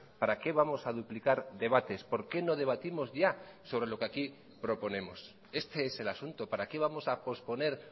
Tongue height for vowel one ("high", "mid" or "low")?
low